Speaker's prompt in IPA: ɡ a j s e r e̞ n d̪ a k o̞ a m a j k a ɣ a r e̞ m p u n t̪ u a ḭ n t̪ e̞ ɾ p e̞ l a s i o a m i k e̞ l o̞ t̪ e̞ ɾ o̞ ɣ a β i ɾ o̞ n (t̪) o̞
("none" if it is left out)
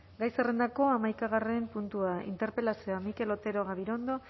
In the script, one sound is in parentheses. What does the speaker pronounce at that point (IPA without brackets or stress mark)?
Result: d̪